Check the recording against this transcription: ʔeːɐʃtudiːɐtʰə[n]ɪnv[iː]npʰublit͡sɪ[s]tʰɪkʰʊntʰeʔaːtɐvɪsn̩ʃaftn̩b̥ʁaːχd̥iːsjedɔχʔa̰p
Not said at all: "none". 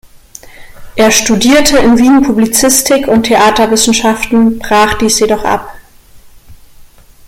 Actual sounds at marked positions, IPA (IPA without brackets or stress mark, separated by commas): none, iː, s